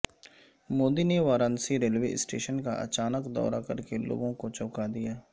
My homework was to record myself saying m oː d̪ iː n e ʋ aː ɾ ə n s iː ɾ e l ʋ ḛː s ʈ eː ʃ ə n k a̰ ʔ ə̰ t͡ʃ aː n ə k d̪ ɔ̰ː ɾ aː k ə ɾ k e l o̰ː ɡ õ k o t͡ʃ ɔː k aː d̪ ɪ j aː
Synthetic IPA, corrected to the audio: m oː d̪ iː n e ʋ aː ɾ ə n s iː ɾ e l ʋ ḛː s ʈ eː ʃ ə n k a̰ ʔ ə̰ t͡ʃ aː n ə k d̪ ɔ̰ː ɾ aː k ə ɾ k e l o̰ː ɡ õ k o t͡ʃ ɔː k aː d̪ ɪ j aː